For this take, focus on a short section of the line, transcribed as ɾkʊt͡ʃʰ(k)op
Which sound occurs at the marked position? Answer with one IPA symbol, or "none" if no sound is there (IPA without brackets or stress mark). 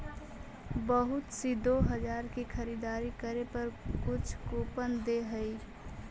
k